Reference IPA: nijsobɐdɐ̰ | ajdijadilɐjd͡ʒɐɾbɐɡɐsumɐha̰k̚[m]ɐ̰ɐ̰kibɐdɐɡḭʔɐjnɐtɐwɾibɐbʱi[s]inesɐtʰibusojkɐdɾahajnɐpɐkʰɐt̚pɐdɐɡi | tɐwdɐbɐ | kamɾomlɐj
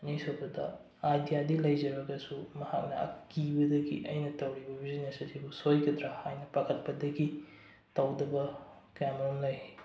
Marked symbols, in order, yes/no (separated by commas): no, no